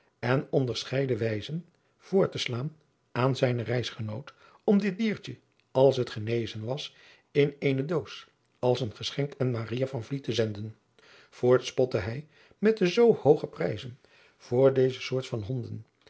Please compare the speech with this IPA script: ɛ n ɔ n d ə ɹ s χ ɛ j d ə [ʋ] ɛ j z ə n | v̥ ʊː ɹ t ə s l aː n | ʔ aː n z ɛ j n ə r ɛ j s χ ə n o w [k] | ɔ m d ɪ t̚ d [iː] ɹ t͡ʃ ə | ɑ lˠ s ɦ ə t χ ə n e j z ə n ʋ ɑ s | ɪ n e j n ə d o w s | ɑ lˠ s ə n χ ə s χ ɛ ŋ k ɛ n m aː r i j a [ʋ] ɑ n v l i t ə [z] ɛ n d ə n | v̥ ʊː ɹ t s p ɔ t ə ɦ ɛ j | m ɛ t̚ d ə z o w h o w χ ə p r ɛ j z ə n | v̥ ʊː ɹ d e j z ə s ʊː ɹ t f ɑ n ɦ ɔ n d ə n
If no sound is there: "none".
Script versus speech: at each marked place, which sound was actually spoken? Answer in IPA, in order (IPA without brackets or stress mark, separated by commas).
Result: ʋ, t, iː, v, z